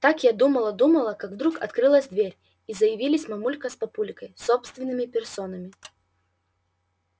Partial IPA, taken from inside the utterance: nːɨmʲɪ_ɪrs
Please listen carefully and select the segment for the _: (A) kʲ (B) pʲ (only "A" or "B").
B